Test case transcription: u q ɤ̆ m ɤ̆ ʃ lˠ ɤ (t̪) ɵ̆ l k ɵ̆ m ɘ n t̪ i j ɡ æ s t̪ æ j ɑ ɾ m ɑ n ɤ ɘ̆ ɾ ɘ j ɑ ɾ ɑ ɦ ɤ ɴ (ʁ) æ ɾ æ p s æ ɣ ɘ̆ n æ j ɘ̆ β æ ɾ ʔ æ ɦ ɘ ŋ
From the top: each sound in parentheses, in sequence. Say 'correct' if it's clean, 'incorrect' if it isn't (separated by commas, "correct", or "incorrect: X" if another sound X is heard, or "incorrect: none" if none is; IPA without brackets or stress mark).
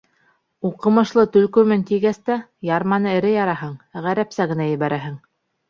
correct, correct